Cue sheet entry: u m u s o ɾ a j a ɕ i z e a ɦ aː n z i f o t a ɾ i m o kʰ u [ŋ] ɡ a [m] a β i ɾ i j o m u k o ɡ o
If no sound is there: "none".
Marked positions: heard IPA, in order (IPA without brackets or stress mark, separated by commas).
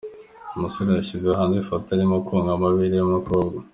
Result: ŋ, m